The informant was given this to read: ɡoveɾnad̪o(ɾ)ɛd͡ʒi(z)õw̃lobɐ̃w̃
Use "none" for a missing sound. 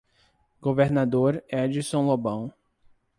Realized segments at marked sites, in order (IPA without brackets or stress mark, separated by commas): ɾ, s